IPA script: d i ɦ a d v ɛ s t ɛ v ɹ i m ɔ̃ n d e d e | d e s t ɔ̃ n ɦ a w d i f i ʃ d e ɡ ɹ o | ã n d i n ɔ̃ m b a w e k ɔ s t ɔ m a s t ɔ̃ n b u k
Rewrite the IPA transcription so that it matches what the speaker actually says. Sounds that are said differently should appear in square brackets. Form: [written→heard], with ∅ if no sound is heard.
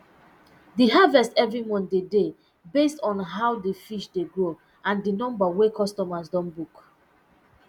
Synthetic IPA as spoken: d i ɦ a [d→∅] v ɛ s t ɛ v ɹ i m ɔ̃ n d e d e | [d→b] e s t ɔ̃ n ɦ a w d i f i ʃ d e ɡ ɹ o | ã n d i n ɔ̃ m b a w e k ɔ s t ɔ m a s [t→d] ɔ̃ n b u k